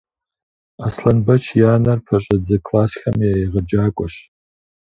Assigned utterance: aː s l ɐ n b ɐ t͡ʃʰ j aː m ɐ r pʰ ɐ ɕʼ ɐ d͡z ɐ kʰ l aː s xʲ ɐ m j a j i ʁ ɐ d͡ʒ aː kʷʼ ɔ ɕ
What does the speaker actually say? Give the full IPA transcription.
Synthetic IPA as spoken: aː s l ɐ n b ɐ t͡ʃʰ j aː n ɐ r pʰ ɐ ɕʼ ɐ d͡z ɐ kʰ l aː s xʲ ɐ m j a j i ʁ ɐ d͡ʒ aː kʷʼ ɔ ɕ